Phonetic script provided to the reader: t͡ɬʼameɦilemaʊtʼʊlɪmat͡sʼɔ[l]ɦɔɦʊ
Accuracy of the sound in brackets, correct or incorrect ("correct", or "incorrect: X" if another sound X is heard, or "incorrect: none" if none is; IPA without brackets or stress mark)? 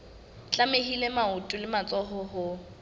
incorrect: none